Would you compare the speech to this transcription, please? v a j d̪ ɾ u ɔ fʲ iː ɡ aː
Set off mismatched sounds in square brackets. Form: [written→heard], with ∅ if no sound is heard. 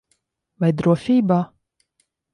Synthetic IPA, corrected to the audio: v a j d̪ ɾ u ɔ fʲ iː [ɡ→b] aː

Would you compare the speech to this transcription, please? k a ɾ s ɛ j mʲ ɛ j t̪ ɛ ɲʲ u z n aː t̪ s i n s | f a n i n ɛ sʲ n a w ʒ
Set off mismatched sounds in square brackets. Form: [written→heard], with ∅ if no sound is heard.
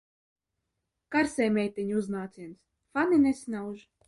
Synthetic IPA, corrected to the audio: k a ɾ s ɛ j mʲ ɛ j t̪ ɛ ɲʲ u z n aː t̪ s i n s | f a n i n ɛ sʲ n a w ʒ

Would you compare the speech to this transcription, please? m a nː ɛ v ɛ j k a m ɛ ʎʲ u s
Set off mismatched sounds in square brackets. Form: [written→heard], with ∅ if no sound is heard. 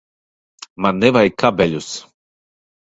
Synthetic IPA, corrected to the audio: m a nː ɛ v [ɛ→a] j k a [m→b] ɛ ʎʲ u s

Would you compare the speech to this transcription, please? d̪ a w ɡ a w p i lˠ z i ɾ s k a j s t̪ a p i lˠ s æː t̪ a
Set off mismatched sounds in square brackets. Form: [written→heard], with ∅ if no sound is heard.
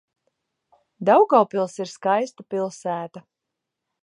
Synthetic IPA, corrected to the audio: d̪ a w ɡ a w p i lˠ [z→s] i ɾ s k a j s t̪ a p i lˠ s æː t̪ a

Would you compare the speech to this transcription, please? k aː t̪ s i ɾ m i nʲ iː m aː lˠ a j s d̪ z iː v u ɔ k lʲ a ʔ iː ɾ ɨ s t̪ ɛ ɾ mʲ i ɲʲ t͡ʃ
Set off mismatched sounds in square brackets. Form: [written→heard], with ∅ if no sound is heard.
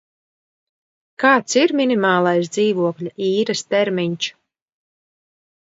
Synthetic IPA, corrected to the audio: k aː t̪ s i ɾ m i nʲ [iː→i] m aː lˠ a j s d̪ z iː v u ɔ k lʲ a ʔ iː ɾ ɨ s t̪ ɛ ɾ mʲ i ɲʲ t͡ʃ

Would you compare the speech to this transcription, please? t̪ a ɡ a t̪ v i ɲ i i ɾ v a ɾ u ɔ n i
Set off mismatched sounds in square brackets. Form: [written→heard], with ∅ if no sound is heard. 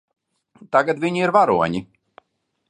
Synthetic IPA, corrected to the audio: t̪ a ɡ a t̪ v i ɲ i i ɾ v a ɾ u ɔ [n→ɲ] i

